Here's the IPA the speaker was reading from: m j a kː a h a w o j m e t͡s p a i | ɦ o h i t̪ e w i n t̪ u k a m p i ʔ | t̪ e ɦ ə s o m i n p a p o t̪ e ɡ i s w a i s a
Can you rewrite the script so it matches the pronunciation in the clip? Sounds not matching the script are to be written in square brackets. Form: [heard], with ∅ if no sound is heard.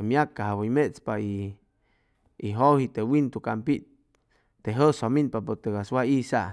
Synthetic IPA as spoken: m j a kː a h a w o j m e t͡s p a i | ɦ o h i t̪ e w i n t̪ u k a m p i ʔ | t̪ e ɦ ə s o m i n p a p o t̪ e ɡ [a] s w a i s a